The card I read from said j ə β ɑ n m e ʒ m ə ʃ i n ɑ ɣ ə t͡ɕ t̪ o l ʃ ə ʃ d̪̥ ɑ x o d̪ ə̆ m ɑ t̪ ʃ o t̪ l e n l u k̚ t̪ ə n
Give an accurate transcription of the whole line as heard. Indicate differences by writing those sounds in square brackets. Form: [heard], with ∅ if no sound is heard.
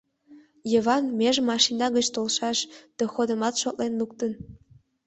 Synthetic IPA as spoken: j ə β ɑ n m e ʒ m [ɑ] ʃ i n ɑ ɣ ə t͡ɕ t̪ o l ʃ [ɑ] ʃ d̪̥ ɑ x o d̪ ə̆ m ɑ t̪ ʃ o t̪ l e n l u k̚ t̪ ə n